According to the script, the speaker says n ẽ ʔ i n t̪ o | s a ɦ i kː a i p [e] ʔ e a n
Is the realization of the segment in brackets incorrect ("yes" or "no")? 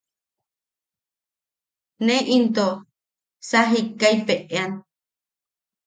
no